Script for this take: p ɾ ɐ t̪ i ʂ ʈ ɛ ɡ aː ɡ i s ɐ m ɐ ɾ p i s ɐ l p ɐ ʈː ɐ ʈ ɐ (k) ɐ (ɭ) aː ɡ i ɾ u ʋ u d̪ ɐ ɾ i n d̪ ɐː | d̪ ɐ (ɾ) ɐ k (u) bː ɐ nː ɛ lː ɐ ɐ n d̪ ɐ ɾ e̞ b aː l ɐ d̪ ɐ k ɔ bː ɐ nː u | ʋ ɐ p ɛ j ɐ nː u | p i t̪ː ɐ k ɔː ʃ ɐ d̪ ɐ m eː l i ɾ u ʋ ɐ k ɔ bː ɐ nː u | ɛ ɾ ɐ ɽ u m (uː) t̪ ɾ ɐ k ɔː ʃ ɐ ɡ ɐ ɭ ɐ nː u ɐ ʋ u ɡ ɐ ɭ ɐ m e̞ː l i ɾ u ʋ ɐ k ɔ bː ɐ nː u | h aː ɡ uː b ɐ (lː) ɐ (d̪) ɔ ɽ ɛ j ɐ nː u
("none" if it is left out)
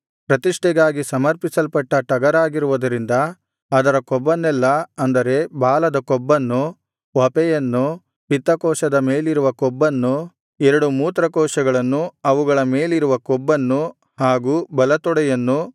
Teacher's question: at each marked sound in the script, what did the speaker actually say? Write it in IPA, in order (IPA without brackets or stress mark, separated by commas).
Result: ɡ, ɾ, ɾ, ɔ, uː, l, t̪